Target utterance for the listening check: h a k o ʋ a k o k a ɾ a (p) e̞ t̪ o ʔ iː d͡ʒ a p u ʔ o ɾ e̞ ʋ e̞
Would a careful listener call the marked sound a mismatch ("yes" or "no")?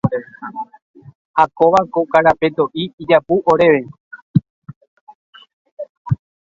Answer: no